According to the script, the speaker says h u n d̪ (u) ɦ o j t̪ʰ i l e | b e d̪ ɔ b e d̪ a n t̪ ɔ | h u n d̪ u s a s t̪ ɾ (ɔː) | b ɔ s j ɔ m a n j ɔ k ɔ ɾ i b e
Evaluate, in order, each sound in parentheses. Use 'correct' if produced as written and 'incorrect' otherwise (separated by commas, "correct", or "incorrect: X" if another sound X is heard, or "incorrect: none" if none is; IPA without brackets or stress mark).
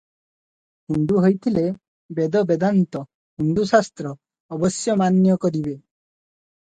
correct, correct